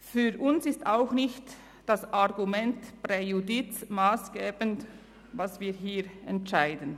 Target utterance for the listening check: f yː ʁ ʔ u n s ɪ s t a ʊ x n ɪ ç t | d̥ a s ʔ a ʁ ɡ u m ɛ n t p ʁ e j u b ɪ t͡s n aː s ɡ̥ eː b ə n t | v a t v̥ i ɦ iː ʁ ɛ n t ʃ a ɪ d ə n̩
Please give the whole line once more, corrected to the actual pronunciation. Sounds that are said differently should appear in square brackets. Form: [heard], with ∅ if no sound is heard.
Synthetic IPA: f yː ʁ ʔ [ʊ] n s ɪ s t a ʊ x n ɪ ç t | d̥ a s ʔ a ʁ ɡ u m ɛ n t p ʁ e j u [d] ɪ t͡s [m] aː s ɡ̥ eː b ə n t | v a [s] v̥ [iː] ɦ iː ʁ ɛ n t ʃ a ɪ d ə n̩